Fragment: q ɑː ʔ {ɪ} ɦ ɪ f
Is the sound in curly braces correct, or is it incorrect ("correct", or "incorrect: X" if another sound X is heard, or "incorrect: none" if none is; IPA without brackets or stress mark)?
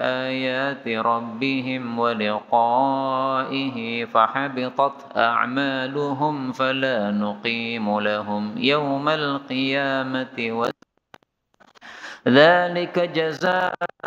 correct